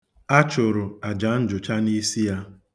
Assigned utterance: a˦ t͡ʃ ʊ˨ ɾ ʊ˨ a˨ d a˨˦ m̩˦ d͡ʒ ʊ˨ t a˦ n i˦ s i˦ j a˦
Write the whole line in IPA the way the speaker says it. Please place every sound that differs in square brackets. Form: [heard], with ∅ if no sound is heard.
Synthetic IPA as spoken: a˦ t͡ʃ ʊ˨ ɾ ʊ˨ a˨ [d͡ʒ] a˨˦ [n̩˦] d͡ʒ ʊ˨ [t͡ʃ] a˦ n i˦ s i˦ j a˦